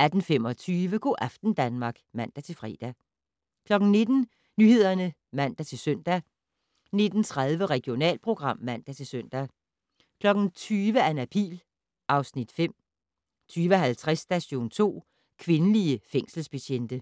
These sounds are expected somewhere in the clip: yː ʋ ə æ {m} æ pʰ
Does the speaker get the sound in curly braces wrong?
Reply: yes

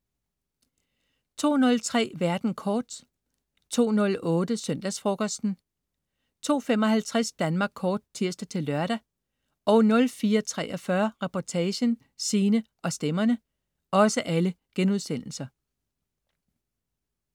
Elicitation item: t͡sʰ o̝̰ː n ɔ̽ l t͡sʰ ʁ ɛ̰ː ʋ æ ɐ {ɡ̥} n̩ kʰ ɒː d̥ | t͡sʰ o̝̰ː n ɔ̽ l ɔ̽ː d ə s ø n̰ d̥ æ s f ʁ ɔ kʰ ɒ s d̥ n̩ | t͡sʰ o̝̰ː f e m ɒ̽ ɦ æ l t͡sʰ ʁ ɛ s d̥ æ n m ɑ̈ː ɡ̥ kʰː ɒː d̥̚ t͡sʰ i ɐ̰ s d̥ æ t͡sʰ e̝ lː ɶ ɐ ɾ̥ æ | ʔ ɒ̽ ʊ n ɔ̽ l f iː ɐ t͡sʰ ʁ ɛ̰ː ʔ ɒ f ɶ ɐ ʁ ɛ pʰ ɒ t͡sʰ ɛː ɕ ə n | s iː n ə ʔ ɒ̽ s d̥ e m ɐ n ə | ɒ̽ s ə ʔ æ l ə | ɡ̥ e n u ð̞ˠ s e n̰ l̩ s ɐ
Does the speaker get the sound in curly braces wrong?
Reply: yes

